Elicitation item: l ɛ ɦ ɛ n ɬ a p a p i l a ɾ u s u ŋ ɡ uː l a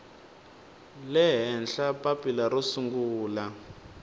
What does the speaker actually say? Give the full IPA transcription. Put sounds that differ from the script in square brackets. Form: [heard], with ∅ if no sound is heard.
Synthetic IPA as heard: l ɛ ɦ ɛ n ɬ a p a p i l a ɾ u s u ŋ ɡ uː l a